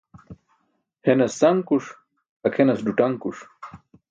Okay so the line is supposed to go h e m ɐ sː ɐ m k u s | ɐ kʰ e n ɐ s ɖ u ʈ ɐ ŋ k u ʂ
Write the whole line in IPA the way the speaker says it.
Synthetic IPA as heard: h e n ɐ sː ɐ ŋ k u ʂ | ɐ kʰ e n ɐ s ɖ u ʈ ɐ ŋ k u ʂ